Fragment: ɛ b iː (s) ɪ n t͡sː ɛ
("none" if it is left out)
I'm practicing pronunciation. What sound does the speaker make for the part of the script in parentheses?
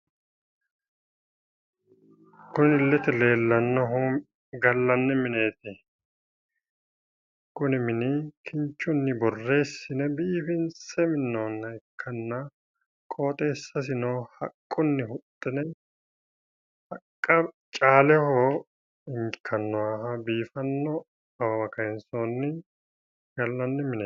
f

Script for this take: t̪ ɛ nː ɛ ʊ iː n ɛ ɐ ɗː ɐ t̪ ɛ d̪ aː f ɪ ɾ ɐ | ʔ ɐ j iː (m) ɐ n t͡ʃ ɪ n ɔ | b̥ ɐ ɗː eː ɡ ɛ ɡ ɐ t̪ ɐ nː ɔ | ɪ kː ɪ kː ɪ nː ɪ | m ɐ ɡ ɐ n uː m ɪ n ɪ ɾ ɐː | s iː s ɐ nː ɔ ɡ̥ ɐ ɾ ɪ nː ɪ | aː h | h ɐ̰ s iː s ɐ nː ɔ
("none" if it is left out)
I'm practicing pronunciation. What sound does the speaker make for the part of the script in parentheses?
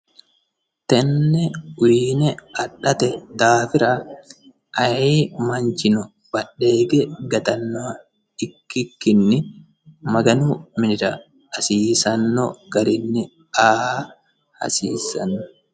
m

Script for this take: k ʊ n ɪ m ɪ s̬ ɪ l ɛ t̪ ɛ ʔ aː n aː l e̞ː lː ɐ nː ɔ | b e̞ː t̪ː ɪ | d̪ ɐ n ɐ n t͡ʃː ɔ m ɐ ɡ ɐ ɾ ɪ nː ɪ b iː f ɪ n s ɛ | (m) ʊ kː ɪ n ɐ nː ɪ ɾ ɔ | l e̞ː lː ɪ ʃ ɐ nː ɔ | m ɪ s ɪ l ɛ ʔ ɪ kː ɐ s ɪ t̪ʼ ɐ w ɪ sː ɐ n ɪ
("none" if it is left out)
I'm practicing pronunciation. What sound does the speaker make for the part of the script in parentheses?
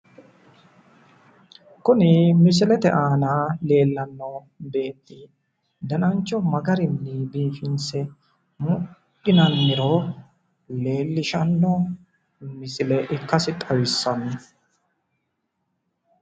m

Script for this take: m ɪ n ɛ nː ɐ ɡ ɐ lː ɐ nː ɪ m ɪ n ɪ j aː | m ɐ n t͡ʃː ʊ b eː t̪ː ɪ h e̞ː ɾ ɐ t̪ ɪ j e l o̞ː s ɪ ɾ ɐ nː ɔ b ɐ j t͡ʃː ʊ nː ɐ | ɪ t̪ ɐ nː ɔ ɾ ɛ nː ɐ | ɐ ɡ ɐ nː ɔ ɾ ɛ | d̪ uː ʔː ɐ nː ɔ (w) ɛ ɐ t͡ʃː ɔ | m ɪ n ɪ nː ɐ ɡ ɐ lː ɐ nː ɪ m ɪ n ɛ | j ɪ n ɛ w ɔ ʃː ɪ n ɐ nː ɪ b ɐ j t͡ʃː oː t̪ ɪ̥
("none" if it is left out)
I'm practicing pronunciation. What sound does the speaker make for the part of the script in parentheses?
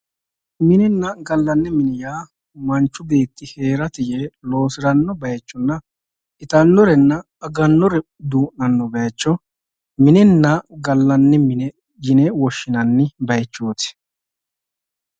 b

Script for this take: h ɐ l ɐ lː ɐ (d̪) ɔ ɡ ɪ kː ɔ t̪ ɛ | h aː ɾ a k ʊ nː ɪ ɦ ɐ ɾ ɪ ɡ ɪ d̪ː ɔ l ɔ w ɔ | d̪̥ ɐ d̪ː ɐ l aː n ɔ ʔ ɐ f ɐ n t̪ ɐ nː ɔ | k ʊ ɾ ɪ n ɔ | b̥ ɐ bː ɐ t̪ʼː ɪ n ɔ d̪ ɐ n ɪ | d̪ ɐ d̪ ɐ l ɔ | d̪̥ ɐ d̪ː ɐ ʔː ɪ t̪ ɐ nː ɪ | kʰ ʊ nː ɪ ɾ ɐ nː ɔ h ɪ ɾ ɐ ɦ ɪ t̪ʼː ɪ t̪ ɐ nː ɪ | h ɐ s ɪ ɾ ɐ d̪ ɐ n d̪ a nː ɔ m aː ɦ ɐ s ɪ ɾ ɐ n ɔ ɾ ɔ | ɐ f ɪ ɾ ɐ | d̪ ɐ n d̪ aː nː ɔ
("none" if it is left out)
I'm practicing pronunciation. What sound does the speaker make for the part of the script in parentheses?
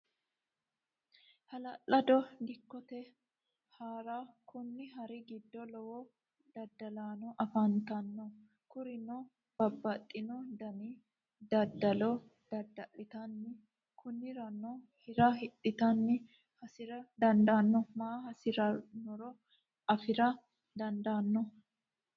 d̪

